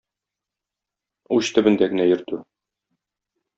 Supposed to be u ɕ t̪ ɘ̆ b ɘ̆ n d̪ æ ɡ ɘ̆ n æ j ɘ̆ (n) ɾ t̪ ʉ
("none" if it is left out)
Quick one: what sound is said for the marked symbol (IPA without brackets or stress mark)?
none